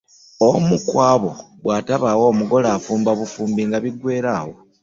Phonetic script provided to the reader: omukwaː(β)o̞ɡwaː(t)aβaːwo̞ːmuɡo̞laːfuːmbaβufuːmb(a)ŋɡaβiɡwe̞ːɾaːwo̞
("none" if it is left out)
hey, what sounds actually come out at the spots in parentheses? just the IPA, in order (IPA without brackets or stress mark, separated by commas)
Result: β, t, i